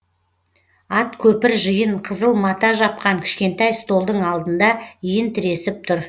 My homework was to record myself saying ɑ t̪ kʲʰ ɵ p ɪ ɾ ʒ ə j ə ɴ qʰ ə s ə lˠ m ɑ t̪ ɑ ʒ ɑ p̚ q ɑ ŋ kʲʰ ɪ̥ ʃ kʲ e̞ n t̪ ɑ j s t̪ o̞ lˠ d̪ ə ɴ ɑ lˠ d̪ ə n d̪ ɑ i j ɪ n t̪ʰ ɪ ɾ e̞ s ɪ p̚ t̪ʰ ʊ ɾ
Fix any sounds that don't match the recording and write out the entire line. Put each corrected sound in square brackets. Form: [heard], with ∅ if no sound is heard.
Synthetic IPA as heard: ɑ t̪ kʲʰ ɵ p ɪ ɾ ʒ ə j ə ɴ qʰ ə [z] ə lˠ m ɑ t̪ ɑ ʒ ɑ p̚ q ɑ ŋ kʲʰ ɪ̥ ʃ kʲ e̞ n t̪ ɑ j s t̪ o̞ lˠ d̪ ə ɴ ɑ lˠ d̪ ə n d̪ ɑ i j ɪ n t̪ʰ ɪ ɾ e̞ s ɪ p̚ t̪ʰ ʊ ɾ